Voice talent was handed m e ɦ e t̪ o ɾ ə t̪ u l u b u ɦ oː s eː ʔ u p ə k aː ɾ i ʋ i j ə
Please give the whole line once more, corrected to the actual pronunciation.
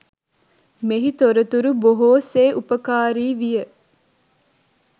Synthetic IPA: m e ɦ i t̪ o ɾ ə t̪ u ɾ u b o ɦ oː s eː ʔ u p ə k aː ɾ iː ʋ i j ə